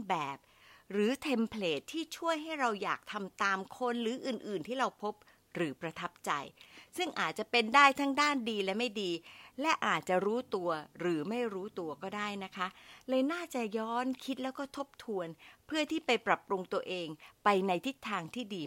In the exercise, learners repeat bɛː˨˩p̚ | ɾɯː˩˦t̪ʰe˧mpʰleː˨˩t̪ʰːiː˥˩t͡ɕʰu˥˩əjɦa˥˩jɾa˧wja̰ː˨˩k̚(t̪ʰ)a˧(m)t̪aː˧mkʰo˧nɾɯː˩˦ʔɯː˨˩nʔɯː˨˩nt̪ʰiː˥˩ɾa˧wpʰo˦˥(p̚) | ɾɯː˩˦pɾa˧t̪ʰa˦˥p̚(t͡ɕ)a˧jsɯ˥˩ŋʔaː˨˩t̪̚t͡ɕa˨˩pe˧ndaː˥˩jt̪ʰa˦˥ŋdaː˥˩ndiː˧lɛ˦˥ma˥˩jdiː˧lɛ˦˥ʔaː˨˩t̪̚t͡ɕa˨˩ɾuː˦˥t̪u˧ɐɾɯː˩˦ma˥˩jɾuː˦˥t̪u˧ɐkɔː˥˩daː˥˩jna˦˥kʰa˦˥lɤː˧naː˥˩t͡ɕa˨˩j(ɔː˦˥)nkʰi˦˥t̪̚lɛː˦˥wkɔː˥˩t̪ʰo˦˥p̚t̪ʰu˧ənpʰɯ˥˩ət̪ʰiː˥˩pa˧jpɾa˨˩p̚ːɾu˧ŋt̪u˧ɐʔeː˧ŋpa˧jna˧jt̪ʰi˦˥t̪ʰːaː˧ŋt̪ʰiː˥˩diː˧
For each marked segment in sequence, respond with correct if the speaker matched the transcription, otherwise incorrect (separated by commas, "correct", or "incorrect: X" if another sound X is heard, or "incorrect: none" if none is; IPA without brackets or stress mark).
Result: correct, correct, correct, correct, correct